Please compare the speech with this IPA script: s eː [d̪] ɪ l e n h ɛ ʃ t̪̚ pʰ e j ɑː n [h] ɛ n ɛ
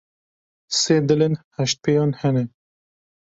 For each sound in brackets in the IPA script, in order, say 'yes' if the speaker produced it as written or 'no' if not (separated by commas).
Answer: yes, yes